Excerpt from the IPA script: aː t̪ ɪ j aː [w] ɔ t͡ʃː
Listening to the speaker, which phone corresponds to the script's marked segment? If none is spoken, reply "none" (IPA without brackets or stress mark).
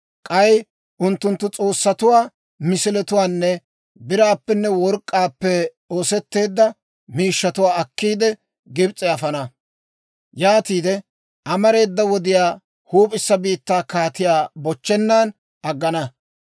b